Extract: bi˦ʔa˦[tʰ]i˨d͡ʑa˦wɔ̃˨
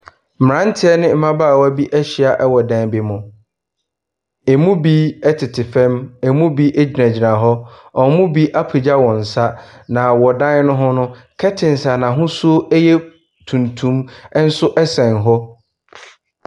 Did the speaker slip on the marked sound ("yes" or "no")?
yes